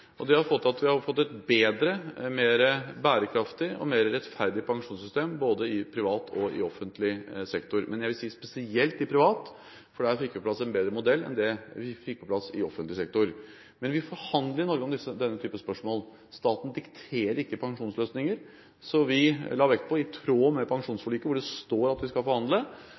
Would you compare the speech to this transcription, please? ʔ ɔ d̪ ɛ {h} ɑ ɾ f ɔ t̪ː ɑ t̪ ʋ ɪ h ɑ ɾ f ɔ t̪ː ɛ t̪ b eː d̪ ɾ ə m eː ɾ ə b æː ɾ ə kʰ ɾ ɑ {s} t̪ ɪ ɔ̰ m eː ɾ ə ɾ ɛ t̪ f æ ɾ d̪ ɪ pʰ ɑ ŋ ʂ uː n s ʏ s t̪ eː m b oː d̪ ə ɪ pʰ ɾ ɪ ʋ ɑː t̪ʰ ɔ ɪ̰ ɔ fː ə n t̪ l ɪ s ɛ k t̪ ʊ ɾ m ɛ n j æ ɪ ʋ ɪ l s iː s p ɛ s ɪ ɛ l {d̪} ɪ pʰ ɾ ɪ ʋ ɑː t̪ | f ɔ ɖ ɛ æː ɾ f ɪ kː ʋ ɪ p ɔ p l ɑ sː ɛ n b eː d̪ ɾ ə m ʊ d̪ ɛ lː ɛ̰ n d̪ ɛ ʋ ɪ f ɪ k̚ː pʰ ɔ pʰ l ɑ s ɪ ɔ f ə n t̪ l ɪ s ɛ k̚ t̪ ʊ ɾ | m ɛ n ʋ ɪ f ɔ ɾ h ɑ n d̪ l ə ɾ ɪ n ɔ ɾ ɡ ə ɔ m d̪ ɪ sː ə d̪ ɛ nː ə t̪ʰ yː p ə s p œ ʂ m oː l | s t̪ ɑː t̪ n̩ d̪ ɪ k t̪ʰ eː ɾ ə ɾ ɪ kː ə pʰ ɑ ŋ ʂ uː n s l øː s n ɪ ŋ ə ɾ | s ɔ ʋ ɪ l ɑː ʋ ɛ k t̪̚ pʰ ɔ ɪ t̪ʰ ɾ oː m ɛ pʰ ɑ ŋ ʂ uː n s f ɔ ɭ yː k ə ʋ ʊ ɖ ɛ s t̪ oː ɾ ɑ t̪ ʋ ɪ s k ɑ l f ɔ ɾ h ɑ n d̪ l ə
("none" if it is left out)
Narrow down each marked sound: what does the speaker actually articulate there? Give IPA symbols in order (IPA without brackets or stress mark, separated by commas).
h, f, t̪